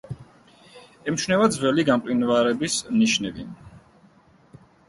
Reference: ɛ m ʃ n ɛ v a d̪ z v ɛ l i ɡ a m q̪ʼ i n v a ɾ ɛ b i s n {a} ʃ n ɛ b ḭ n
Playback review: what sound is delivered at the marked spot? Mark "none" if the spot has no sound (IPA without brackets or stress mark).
i